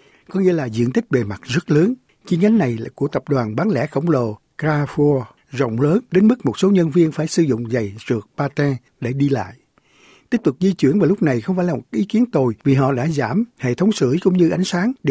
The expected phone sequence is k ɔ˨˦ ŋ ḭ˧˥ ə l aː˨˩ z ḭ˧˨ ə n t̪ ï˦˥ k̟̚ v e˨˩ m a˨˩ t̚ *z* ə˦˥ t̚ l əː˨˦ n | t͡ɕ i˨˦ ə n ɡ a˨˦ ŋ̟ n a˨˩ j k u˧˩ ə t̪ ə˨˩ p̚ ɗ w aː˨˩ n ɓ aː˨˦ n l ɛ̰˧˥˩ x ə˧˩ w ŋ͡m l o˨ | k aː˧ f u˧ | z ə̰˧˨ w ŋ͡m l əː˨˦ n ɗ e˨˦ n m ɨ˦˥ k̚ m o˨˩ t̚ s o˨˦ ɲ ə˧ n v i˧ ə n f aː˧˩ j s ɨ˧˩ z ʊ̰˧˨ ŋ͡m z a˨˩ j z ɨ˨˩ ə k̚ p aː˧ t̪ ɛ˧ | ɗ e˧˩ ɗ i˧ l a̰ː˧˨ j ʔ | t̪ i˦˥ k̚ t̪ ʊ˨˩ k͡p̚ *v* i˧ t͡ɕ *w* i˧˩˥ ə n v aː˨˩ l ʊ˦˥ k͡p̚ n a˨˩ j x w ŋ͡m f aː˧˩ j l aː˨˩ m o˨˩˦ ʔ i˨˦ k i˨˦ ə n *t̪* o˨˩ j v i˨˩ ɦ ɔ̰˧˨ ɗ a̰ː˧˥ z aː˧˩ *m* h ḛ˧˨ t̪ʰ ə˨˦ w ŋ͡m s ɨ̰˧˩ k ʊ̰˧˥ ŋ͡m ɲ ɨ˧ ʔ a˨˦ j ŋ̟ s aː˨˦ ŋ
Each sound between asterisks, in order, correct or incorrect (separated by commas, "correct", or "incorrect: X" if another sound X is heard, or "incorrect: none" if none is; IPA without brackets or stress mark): correct, incorrect: z, correct, correct, correct